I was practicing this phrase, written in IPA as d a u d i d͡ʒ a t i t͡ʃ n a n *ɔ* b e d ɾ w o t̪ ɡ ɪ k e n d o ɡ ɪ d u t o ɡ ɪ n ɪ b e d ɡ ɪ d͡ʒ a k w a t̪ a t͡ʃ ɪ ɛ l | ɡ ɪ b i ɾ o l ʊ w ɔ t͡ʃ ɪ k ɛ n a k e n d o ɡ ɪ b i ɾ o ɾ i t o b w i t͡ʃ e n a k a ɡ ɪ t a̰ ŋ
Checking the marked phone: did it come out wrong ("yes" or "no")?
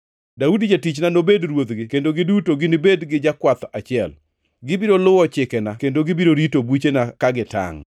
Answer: yes